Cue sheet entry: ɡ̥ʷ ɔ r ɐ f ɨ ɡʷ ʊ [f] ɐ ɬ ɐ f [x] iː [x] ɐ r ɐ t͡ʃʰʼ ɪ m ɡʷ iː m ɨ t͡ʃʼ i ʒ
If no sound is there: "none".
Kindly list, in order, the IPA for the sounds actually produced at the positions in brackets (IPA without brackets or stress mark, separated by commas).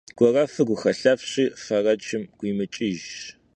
x, ɕ, f